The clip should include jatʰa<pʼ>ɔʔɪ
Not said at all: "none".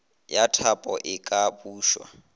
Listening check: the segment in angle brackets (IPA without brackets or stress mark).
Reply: pʼ